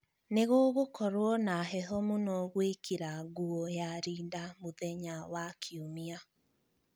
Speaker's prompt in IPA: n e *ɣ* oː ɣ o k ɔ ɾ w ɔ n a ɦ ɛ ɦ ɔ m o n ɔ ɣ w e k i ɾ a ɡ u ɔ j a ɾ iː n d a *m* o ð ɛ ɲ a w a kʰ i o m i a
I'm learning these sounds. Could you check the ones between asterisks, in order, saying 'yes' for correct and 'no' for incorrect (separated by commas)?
yes, yes